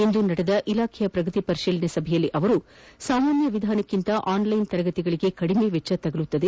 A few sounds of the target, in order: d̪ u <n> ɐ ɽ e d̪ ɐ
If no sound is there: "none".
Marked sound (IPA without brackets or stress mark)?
n